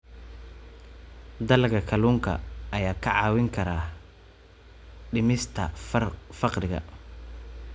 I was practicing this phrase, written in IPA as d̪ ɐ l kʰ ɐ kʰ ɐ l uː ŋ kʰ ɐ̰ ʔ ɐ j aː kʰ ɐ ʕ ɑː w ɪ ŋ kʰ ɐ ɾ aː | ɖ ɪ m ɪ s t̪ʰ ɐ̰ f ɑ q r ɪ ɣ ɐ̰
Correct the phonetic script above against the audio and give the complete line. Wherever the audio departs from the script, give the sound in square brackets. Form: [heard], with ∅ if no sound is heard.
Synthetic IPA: d̪ ɐ l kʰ ɐ kʰ ɐ l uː ŋ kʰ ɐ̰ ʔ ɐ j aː kʰ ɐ ʕ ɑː w ɪ ŋ kʰ ɐ ɾ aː | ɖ ɪ m ɪ s t̪ʰ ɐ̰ f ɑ q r ɪ ɣ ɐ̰